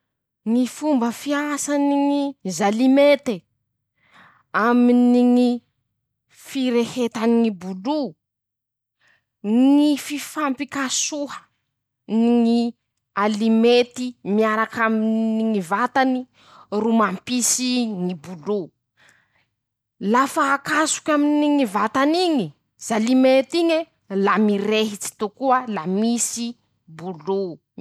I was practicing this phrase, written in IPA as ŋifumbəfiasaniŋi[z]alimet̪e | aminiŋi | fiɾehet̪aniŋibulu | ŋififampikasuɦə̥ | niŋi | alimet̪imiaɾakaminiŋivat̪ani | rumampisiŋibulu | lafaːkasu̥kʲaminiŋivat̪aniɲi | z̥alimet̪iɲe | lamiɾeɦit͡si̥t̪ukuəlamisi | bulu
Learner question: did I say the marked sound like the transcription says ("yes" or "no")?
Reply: yes